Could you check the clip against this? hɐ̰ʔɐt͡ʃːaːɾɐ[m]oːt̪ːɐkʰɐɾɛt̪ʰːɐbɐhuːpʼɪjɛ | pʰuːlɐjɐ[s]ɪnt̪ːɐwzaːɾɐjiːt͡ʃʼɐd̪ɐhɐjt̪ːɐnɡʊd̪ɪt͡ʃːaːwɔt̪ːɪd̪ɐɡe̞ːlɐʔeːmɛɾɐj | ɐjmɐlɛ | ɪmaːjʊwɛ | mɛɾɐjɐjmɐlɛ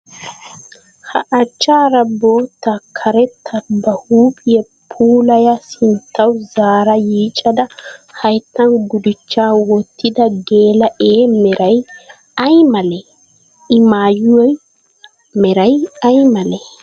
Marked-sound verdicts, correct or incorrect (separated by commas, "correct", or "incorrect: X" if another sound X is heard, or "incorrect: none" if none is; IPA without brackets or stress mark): incorrect: b, correct